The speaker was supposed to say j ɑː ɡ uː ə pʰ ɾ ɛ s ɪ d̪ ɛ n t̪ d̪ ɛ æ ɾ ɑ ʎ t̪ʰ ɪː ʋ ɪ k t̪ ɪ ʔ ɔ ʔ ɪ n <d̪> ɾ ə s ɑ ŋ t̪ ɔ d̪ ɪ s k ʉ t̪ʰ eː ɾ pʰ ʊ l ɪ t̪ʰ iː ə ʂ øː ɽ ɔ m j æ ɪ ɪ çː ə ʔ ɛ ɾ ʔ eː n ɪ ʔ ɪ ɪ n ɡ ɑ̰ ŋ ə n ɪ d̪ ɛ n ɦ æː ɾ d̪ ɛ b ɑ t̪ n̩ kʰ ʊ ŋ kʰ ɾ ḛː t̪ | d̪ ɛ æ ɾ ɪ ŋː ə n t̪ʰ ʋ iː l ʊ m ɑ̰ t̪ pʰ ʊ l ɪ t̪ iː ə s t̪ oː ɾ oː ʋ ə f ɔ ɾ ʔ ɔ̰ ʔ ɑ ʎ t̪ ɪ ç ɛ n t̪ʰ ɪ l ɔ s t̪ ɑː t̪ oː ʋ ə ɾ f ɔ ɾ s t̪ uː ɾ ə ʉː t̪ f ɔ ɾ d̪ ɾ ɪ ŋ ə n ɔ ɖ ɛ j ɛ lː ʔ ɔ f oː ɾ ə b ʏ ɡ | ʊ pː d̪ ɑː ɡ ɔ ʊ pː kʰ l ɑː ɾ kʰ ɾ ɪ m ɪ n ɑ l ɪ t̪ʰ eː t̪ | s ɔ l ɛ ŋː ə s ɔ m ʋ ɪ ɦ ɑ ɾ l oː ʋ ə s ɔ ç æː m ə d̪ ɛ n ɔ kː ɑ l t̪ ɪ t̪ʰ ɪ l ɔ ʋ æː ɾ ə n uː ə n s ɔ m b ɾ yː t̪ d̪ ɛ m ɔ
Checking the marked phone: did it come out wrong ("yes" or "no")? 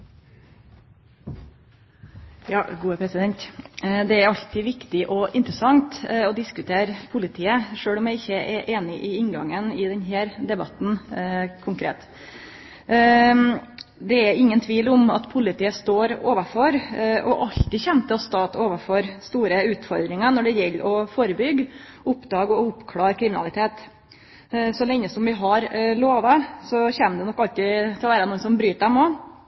yes